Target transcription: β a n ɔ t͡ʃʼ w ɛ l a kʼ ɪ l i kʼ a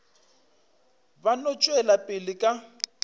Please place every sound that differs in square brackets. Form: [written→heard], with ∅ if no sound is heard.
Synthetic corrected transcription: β a n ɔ t͡ʃʼ w ɛ l a [kʼ→pʼ] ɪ l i kʼ a

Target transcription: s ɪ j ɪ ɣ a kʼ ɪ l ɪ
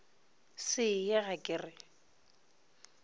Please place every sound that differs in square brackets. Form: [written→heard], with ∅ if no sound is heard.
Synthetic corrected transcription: s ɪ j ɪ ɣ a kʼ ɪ [l→r] ɪ

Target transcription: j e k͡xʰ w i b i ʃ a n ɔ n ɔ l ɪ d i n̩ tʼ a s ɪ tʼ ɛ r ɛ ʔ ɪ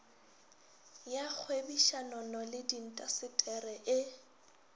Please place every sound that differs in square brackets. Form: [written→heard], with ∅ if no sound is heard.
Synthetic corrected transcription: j [e→a] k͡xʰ w [i→e] b i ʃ a n ɔ n ɔ l ɪ d i n̩ tʼ a s ɪ tʼ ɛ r ɛ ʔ ɪ

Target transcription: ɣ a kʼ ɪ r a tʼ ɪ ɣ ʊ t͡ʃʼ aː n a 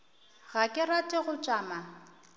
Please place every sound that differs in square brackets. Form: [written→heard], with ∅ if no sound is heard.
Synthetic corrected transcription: ɣ a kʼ ɪ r a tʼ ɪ ɣ ʊ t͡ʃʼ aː [n→m] a

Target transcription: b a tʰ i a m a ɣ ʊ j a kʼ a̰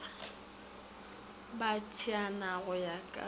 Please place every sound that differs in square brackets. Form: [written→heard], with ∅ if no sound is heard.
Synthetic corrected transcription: b a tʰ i a [m→n] a ɣ ʊ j a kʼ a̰

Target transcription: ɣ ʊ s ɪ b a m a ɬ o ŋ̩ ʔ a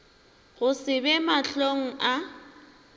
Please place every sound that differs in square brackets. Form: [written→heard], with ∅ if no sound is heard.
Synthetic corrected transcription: ɣ ʊ s ɪ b [a→ɛ] m a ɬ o ŋ̩ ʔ a

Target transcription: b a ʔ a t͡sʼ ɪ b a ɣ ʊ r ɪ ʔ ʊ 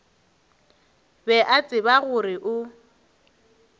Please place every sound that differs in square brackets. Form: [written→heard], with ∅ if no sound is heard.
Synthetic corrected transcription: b [a→ɛ] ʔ a t͡sʼ ɪ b a ɣ ʊ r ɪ ʔ ʊ

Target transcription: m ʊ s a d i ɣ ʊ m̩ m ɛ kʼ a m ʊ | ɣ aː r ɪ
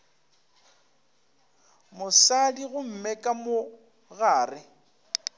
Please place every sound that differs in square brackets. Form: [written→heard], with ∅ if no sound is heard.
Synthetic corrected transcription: m ʊ s a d i ɣ ʊ m̩ m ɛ kʼ a m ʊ | ɣ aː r ɪ

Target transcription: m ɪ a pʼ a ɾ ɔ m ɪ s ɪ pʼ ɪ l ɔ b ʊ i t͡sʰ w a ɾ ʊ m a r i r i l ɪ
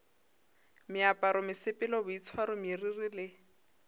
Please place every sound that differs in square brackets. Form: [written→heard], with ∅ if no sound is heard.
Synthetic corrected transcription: m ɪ a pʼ a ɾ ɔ m ɪ s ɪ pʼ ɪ l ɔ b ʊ i t͡sʰ w a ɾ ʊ m [a→i] r i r i l ɪ

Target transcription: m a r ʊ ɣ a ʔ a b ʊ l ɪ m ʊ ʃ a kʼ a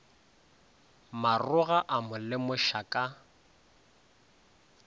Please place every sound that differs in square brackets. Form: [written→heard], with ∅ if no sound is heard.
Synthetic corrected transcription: m a r ʊ ɣ a ʔ a [b→m] ʊ l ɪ m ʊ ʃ a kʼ a

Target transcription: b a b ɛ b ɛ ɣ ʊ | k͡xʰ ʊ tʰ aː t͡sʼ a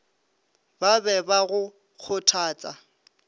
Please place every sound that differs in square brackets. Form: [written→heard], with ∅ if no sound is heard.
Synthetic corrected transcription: b a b ɛ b [ɛ→a] ɣ ʊ | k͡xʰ ʊ tʰ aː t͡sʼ a

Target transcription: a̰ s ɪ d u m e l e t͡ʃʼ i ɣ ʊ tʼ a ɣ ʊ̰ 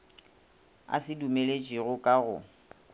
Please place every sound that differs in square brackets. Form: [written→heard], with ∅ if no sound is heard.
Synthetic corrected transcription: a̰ s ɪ d u m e l e t͡ʃʼ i ɣ ʊ [tʼ→kʼ] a ɣ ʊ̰

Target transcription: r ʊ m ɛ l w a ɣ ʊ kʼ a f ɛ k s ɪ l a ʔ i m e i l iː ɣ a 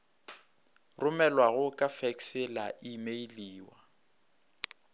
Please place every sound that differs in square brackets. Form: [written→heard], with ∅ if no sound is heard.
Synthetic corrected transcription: r ʊ m ɛ l w a ɣ ʊ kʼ a f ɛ k s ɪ l a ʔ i m e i l iː [ɣ→w] a

